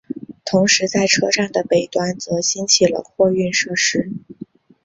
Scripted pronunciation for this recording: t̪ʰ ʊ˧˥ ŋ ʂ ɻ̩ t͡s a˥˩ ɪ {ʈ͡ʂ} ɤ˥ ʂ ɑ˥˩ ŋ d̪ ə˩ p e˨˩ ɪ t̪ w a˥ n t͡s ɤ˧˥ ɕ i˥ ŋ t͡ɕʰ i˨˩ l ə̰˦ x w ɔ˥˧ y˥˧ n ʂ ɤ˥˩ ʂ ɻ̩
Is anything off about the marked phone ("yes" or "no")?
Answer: yes